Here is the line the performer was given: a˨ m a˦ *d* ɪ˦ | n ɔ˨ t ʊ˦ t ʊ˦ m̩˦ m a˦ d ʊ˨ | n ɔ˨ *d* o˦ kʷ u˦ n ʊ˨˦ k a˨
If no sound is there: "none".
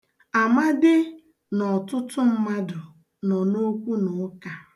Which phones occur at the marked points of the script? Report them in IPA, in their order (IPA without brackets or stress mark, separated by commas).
d, n